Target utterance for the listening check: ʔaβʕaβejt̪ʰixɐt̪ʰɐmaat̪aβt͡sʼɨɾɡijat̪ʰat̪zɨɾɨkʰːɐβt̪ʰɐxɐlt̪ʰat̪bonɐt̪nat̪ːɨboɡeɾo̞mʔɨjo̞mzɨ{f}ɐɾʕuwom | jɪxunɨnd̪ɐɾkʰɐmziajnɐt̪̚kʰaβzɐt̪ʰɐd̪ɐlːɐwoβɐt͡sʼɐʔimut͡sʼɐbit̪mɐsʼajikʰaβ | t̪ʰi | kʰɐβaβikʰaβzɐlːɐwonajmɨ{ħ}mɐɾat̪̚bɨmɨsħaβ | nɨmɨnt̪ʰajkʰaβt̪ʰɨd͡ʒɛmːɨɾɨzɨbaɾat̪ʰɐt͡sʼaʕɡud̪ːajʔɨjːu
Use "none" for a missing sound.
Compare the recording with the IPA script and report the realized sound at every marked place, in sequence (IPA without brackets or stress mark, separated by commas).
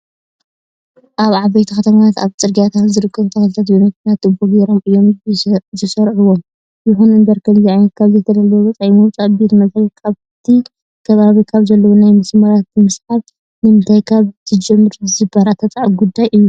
s, s